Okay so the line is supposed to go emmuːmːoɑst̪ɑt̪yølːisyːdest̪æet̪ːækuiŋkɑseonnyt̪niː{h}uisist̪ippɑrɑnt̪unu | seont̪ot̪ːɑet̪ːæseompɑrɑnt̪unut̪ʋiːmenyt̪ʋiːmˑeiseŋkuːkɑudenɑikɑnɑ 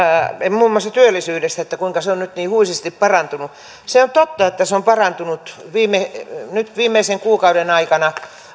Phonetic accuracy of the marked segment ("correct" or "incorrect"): correct